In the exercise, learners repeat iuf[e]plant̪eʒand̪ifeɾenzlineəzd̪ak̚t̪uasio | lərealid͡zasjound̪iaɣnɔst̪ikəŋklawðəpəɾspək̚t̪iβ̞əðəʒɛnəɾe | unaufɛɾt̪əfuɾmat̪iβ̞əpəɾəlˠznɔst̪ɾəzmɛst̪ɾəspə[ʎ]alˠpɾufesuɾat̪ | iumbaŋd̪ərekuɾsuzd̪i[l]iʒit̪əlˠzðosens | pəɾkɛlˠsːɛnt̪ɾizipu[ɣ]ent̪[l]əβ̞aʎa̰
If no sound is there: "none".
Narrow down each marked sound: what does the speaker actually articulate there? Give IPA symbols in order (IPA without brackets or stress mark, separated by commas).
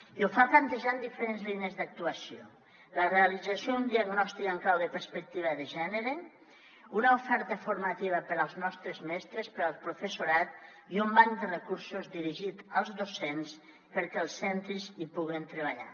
a, ɾ, ɾ, ɣ, ɾ